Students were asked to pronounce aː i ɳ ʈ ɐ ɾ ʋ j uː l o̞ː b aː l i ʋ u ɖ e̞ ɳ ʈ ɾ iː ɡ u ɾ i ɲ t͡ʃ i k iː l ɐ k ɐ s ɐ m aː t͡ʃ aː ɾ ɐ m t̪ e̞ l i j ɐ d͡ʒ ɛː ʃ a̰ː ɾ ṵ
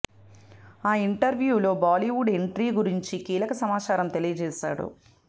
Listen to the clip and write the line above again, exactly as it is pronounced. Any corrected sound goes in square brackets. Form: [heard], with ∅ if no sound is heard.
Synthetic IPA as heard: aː i ɳ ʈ ɐ ɾ ʋ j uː l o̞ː b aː l i ʋ u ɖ e̞ ɳ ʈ ɾ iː ɡ u ɾ i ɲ t͡ʃ i k iː l ɐ k ɐ s ɐ m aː t͡ʃ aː ɾ ɐ m t̪ e̞ l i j ɐ d͡ʒ ɛː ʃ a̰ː [ɽ] ṵ